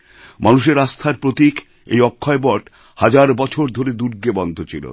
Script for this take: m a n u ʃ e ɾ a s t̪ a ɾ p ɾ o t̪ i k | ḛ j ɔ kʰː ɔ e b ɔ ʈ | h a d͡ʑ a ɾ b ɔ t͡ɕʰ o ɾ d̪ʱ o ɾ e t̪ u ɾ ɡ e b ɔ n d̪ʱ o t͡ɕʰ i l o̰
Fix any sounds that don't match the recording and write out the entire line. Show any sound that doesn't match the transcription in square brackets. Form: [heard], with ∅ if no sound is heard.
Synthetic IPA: m a n u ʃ e ɾ a s [t̪ʰ] a ɾ p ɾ o t̪ i k | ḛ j ɔ kʰː ɔ e b ɔ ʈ | h a d͡ʑ a ɾ b ɔ t͡ɕʰ o ɾ d̪ʱ o ɾ e [d̪] u ɾ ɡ e b ɔ n d̪ʱ o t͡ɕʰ i l o̰